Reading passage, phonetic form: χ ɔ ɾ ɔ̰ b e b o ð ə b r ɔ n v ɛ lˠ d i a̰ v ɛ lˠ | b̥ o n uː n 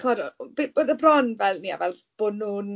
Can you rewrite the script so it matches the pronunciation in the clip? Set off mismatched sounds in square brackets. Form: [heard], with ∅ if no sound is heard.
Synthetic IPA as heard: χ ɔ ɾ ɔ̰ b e b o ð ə b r ɔ n v ɛ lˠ [n] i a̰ v ɛ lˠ | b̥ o n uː n